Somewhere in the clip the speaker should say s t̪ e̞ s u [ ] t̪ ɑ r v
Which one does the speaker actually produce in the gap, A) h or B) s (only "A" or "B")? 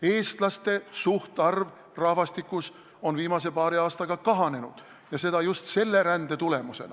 A